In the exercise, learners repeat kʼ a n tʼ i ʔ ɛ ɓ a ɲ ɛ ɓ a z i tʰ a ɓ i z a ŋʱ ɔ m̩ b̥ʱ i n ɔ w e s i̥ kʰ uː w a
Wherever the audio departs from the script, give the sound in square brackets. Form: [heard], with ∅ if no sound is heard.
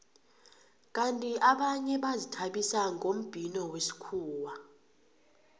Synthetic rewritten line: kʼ a n tʼ i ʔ [a] ɓ a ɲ ɛ ɓ a z i tʰ a ɓ i [s] a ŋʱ [o] m̩ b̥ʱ i n ɔ w e s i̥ kʰ uː w a